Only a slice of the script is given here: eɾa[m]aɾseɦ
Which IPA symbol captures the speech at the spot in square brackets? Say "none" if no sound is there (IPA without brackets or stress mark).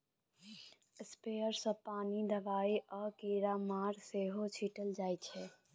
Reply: m